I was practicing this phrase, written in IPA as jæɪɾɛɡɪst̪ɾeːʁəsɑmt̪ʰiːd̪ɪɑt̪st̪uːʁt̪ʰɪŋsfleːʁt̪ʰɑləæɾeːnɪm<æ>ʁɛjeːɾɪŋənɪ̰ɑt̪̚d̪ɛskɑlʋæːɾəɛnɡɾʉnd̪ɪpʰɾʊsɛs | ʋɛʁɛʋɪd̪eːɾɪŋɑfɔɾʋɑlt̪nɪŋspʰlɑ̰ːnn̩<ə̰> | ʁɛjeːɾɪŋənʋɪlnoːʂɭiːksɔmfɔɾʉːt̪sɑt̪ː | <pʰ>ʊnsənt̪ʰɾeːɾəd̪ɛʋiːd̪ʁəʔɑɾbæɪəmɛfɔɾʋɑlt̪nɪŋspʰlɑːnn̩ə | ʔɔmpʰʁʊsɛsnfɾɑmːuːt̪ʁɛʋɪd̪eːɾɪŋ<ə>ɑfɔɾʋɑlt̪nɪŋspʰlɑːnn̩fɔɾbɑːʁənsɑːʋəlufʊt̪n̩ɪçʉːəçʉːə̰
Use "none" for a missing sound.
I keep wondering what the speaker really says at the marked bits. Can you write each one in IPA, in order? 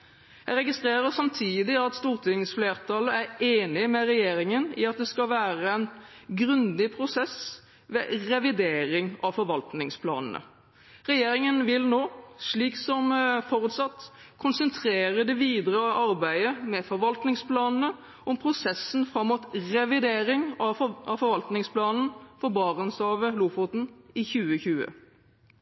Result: ɛ, ə̰, kʰ, ɑ

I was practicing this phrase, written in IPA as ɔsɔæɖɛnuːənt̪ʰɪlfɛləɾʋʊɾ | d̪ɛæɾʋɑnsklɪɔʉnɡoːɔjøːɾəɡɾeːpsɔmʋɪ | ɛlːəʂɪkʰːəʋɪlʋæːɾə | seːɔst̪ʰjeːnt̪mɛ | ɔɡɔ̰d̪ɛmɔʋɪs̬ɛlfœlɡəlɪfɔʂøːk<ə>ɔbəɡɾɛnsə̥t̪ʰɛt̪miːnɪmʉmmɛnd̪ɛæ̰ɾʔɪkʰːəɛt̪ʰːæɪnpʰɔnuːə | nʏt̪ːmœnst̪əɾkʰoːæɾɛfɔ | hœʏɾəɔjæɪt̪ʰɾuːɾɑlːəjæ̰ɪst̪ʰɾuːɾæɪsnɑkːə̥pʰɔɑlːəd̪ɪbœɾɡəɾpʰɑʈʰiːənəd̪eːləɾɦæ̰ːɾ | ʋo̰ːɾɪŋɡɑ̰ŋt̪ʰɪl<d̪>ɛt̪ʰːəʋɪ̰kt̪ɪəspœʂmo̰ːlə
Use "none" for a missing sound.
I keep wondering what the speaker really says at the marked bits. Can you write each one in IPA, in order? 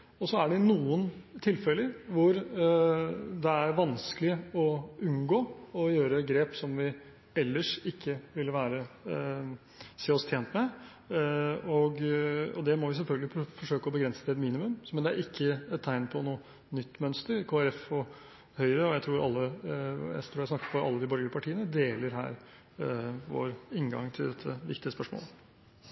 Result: ə, d̪

